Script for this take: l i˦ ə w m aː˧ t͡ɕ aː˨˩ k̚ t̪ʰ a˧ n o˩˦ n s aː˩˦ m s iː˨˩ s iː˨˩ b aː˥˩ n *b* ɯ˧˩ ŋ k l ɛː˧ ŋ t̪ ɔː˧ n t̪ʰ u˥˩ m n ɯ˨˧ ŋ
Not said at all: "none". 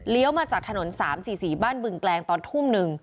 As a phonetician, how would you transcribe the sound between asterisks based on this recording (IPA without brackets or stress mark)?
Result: b